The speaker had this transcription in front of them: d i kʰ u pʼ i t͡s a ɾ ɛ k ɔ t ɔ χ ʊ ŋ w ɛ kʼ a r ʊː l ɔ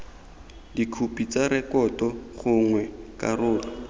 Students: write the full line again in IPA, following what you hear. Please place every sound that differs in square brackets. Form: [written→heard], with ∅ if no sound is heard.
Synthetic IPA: d i kʰ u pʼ i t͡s a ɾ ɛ k ɔ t ɔ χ ʊ ŋ w ɛ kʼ a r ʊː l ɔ